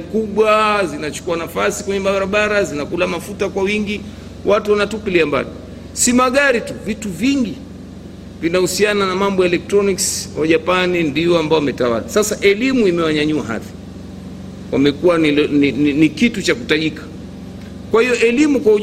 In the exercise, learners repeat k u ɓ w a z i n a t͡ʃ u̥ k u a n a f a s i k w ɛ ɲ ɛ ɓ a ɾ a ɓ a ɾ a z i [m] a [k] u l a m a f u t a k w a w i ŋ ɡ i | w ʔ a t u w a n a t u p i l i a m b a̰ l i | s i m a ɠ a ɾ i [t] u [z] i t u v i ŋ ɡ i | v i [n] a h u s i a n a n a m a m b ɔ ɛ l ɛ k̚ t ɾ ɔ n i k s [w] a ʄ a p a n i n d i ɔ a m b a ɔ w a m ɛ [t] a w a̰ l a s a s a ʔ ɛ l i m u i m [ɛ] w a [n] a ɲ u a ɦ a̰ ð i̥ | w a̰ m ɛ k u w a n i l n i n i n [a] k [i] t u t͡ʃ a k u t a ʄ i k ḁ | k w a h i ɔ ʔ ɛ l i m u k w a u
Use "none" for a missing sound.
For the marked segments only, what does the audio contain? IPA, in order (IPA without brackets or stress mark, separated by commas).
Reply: n, k, t, v, n, w, t, ɛ, ɲ, i, i